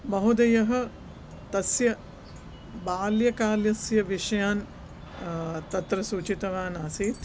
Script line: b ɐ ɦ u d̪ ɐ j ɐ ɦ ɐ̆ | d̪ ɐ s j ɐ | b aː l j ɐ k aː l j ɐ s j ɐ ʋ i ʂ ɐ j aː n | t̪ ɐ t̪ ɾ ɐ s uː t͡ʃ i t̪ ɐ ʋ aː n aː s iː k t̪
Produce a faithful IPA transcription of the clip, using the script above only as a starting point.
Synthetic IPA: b ɐ ɦ u d̪ ɐ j ɐ ɦ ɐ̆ | t̪ ɐ s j ɐ | b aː l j ɐ k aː l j ɐ s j ɐ ʋ i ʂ ɐ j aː n | t̪ ɐ t̪ ɾ ɐ s uː t͡ʃ i t̪ ɐ ʋ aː n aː s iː t̪